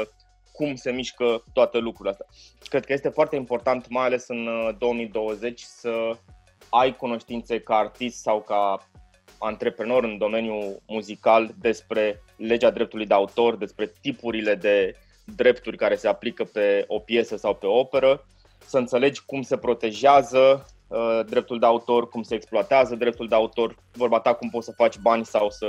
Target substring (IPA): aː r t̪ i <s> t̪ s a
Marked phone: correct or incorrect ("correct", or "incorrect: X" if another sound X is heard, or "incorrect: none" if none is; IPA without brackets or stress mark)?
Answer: correct